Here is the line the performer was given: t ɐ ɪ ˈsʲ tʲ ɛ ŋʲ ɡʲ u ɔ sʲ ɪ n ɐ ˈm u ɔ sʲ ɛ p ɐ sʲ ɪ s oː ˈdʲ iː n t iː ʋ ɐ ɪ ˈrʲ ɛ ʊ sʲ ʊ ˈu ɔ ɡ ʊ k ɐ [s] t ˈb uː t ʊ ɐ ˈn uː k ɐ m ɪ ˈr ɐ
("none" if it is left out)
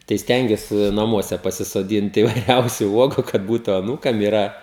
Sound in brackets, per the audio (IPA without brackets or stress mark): none